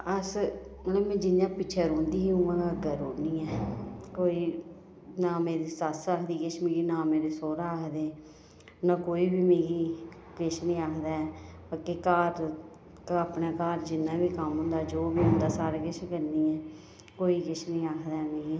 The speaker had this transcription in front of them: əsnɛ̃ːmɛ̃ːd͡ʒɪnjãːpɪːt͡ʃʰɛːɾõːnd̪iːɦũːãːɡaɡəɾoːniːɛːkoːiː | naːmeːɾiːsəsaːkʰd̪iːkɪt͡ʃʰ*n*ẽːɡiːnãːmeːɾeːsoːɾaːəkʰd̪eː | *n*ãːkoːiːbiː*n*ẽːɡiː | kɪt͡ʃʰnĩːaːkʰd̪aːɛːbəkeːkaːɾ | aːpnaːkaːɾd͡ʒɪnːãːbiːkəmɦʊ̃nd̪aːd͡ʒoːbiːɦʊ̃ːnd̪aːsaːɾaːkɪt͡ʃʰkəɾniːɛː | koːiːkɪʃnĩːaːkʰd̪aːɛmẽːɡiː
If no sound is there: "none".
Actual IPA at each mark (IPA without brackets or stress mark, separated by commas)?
m, n, m